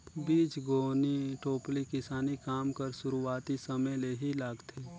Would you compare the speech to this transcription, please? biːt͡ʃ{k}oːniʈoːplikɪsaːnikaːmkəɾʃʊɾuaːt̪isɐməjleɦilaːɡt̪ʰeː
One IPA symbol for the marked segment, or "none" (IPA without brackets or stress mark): ɡ